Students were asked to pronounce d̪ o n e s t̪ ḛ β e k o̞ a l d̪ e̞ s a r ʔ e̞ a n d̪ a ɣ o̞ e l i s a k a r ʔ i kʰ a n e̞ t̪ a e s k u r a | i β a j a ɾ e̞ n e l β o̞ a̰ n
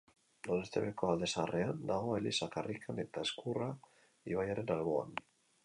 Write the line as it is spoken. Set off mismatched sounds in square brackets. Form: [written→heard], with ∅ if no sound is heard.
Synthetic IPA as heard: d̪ o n e s t̪ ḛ β e k o̞ a l d̪ e̞ s a r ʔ e̞ a n d̪ a ɣ o̞ e l i s a k a r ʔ i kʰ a n e̞ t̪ a e s k u r a | i β a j a ɾ e̞ n [e→a] l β o̞ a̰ n